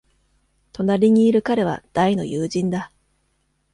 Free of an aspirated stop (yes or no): yes